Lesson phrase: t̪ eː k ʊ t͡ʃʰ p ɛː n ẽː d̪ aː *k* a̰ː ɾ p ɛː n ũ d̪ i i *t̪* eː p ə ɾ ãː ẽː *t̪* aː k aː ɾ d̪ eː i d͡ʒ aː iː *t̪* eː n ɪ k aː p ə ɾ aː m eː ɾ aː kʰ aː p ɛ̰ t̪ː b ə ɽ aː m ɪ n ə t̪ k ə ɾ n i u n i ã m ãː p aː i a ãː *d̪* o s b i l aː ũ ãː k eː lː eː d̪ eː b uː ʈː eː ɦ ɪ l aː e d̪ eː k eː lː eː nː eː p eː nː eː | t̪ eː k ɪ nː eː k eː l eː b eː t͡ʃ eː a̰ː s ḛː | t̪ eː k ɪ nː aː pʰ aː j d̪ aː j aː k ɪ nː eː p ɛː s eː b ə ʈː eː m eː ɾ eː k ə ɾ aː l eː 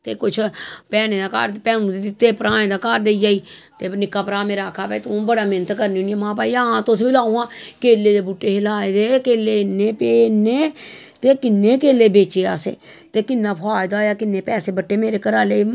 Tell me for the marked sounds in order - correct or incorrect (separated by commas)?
correct, correct, incorrect, correct, incorrect